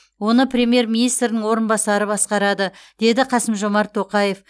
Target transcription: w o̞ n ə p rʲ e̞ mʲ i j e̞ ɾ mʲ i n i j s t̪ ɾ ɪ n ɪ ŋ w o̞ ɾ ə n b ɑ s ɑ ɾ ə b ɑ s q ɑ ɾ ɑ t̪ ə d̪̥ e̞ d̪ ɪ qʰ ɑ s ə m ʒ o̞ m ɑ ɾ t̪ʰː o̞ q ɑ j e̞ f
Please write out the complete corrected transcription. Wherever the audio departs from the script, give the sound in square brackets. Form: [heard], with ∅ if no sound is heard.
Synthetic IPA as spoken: w o̞ n ə p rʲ e̞ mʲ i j e̞ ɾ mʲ i n i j s t̪ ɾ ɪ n ɪ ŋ w o̞ ɾ ə n b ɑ s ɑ ɾ ə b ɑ s q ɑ ɾ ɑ [d̪] ə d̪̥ e̞ d̪ ɪ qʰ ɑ s ə m ʒ o̞ m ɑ ɾ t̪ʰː o̞ q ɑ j e̞ f